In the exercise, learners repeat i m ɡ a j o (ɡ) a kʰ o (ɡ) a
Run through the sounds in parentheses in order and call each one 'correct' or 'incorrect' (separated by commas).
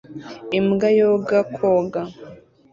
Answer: correct, correct